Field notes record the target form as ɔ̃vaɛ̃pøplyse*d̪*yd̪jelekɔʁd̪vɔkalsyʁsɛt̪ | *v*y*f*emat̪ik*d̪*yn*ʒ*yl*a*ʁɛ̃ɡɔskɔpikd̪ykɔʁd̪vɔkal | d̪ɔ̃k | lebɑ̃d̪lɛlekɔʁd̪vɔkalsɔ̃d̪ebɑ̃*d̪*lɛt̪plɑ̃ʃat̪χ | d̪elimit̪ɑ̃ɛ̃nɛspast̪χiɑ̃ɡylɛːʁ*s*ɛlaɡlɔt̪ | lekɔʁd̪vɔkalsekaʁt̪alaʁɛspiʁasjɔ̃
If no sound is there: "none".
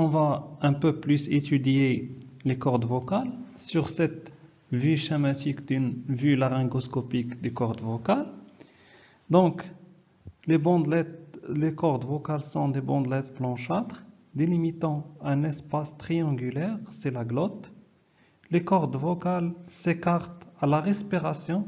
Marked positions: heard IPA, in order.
t̪, v, ʃ, d̪, v, a, d̪, s

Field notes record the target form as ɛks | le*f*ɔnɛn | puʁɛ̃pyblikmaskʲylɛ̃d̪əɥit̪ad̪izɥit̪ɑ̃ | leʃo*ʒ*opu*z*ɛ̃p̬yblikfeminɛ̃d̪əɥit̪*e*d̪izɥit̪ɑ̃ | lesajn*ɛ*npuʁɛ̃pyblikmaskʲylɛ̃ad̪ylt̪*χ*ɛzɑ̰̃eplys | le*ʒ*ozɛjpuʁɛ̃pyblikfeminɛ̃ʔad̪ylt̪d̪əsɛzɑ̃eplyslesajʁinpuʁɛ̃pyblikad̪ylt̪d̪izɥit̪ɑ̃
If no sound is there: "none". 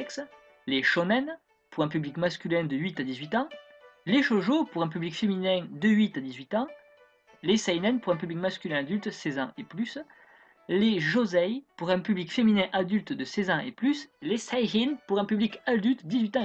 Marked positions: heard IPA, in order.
ʃ, ʒ, ʁ, a, ɛ, s, ʒ

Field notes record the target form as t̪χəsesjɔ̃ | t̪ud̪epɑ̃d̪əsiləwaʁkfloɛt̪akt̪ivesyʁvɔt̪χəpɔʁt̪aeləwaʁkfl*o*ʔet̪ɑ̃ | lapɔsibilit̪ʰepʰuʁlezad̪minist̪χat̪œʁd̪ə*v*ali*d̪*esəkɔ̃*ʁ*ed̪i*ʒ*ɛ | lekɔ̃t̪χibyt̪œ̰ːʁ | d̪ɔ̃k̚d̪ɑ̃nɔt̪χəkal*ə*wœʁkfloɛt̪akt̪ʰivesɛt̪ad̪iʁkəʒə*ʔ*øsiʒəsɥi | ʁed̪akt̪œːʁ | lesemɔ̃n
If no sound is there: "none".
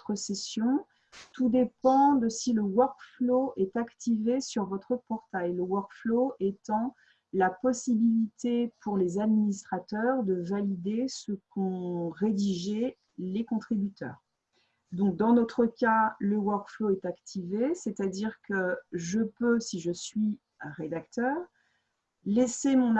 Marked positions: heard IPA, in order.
o, v, d̪, ʁ, ʒ, ə, p

